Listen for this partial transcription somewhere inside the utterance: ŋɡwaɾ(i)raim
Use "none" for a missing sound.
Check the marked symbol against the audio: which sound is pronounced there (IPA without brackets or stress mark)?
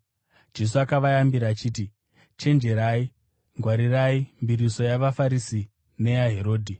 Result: i